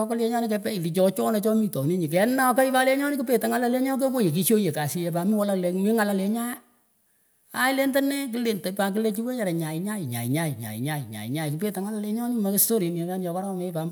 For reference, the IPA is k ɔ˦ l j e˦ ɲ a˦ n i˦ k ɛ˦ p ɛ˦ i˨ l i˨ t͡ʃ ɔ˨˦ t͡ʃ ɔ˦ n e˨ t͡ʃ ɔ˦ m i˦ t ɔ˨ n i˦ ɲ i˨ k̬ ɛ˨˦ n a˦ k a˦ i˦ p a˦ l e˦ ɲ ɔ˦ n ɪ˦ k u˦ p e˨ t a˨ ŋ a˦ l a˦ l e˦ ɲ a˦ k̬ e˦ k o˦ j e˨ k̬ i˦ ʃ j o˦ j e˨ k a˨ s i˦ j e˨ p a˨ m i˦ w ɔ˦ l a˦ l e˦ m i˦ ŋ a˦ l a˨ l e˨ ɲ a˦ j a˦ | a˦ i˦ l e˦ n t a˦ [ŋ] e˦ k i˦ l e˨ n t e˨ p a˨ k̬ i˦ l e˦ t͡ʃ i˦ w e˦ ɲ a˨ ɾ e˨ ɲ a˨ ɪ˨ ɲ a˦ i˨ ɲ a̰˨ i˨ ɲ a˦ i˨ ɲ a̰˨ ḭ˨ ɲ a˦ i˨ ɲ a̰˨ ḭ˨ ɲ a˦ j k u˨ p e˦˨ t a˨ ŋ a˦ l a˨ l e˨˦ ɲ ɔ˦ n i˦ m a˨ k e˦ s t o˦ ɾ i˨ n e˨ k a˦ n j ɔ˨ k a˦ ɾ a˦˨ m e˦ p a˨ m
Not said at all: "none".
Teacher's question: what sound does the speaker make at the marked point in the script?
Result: n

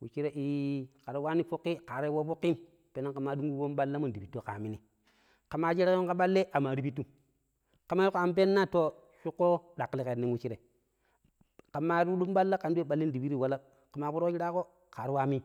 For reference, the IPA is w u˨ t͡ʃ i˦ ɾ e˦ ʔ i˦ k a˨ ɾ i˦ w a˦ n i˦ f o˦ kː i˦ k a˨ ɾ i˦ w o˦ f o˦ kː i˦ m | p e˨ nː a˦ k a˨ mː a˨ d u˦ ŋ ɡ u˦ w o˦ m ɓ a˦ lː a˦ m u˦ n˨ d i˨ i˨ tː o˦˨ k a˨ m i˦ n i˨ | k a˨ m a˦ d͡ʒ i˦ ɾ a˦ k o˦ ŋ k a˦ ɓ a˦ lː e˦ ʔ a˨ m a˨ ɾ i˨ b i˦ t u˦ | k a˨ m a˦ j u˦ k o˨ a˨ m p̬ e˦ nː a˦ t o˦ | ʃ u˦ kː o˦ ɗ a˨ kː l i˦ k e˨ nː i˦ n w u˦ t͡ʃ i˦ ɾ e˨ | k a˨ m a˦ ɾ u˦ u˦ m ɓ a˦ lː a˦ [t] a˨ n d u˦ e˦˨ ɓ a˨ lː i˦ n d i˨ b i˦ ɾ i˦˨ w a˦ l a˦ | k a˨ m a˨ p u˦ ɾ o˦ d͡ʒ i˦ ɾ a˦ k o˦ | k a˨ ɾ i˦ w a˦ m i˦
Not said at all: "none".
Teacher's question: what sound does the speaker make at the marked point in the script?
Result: k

